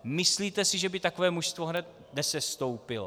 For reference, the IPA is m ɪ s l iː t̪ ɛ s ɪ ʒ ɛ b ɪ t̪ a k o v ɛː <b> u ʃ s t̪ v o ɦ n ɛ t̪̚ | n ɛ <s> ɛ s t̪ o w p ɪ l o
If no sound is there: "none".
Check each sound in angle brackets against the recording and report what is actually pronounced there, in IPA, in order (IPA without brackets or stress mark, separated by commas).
m, s